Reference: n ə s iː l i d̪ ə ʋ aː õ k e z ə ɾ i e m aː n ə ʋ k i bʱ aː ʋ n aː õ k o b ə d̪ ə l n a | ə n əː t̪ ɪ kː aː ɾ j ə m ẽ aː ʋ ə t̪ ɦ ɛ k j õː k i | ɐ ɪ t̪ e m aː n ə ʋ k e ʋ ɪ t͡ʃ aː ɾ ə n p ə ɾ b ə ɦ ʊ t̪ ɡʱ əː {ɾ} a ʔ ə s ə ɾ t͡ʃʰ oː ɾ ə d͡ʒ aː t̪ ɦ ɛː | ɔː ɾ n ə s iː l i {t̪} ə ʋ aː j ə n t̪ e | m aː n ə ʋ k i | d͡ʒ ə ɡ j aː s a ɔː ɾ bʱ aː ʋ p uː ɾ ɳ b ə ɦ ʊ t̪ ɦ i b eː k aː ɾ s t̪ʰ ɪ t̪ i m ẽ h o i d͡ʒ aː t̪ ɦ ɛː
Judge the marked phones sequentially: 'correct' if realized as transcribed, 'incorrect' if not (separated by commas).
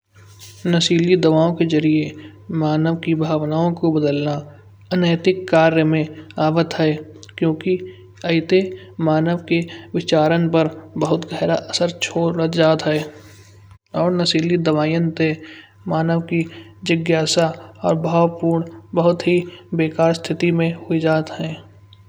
correct, incorrect